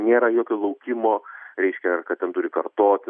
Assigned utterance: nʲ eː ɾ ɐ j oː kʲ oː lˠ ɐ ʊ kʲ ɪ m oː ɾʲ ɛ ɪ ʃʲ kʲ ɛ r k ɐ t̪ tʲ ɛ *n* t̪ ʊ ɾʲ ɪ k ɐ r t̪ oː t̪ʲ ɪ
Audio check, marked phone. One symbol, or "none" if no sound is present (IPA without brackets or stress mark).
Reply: n